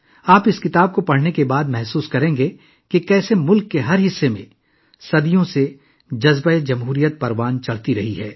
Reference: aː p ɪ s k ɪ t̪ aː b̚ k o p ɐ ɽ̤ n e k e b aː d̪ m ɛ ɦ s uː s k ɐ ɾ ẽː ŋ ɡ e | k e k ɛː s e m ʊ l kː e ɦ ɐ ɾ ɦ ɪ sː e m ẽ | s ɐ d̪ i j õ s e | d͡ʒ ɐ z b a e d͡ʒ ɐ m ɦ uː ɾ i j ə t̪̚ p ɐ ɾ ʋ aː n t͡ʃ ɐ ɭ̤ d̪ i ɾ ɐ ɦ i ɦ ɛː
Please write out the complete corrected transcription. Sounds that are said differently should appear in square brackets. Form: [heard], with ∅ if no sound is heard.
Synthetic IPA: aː p ɪ s k ɪ t̪ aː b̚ k o p ɐ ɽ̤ n e k e b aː d̪ m ɛ ɦ s uː s k ɐ ɾ ẽː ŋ ɡ e | k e k ɛː s e m ʊ l kː e ɦ ɐ ɾ ɦ ɪ sː e m ẽ | s ɐ d̪ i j õ s e | d͡ʒ ɐ z b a e d͡ʒ ɐ m ɦ uː ɾ i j ə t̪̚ p ɐ ɾ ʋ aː n t͡ʃ ɐ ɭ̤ [t̪] i ɾ ɐ ɦ i ɦ ɛː